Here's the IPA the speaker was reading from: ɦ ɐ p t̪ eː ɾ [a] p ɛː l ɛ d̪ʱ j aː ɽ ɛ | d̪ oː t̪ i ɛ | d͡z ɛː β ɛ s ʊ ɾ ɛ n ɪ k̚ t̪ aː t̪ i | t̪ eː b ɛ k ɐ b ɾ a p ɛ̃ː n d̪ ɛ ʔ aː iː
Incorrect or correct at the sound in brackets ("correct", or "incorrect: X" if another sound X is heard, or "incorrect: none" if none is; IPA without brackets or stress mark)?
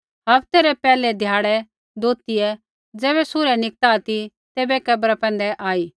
incorrect: ɛ